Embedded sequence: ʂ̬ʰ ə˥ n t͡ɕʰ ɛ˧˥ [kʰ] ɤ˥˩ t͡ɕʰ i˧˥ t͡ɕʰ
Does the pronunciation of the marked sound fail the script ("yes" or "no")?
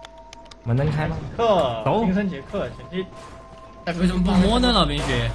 no